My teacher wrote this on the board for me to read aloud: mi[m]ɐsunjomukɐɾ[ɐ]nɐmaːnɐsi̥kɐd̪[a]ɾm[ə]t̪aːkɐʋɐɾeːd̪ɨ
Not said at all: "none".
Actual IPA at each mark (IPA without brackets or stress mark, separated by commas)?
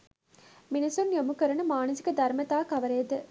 n, ɐ, ɐ, ɐ